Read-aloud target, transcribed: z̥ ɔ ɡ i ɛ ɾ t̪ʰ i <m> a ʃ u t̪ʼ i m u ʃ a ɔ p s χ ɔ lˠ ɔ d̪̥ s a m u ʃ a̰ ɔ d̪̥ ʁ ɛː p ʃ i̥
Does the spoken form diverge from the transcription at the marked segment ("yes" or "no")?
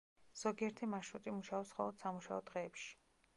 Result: no